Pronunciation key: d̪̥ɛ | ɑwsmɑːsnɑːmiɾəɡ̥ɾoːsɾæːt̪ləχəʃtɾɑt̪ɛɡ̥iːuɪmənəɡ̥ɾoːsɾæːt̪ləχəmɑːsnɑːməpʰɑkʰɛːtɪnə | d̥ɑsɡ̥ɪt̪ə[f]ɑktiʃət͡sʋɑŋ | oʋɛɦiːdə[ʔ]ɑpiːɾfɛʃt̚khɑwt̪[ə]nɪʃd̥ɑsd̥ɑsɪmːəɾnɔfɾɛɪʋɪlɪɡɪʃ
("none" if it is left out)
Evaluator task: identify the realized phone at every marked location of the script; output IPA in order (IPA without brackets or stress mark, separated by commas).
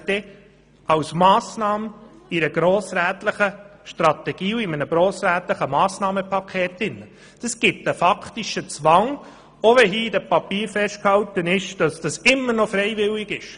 f, p, ə